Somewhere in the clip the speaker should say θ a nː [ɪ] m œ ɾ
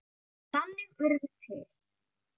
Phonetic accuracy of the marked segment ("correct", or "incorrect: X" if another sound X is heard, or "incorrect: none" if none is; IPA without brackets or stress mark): correct